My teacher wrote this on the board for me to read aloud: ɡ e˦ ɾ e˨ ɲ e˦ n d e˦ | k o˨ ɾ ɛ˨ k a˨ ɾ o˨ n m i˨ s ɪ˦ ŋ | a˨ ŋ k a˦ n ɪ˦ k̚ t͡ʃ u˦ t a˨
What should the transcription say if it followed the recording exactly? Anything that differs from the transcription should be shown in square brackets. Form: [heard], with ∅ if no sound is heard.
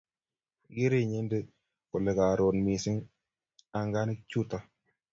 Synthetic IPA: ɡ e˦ ɾ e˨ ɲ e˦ n d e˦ | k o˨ [l] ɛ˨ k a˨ ɾ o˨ n m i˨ s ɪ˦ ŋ | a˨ ŋ [ɡ] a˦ n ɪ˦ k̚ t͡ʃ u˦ t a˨